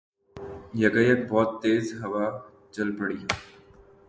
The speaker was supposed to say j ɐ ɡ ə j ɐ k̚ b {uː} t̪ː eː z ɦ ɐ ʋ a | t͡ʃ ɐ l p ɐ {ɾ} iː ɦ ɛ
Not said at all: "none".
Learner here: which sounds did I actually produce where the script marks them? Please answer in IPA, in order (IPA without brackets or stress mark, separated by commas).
ɔː, ɽ